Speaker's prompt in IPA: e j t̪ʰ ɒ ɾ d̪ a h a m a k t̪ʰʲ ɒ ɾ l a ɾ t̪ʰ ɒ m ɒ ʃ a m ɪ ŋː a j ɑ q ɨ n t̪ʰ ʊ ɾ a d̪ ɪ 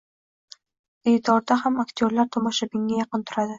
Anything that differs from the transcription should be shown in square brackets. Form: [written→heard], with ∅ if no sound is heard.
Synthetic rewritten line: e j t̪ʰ ɒ ɾ d̪ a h a m a k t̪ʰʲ [ɒ→o] ɾ l a ɾ t̪ʰ ɒ m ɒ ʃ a [m→b] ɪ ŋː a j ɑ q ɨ n t̪ʰ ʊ ɾ a d̪ ɪ